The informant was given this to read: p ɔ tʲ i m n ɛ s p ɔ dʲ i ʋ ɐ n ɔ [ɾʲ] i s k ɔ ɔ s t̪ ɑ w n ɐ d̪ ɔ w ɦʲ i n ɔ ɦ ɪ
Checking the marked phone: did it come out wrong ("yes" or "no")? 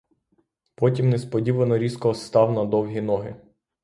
no